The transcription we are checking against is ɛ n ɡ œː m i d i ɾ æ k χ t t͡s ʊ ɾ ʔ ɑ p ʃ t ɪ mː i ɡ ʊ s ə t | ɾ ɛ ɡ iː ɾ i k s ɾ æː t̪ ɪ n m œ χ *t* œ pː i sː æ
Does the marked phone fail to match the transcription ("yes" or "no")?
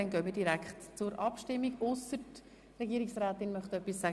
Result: no